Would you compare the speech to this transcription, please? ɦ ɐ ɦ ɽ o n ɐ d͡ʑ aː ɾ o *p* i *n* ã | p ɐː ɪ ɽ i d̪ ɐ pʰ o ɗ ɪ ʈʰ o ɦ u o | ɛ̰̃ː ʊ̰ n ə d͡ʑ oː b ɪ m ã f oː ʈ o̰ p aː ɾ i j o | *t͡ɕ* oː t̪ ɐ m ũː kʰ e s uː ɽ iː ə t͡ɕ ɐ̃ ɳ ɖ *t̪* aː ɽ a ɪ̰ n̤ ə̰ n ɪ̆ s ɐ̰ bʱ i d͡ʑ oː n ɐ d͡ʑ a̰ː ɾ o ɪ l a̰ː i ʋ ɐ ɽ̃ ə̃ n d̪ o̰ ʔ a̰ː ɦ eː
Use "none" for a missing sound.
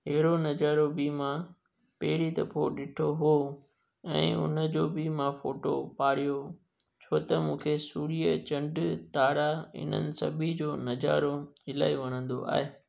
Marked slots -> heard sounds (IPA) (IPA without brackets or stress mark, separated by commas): b, m, t͡ɕʰ, t̪